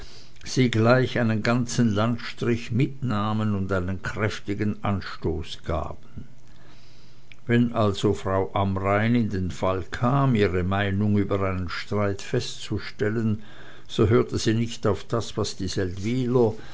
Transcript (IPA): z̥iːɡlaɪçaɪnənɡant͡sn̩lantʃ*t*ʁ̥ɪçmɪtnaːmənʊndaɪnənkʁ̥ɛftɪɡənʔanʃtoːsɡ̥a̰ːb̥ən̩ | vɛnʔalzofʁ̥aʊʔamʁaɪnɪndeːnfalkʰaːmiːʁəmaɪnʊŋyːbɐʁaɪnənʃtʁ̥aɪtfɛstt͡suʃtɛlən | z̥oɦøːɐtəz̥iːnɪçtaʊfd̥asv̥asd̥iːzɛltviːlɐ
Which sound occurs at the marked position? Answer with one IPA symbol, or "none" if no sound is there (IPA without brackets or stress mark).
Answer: t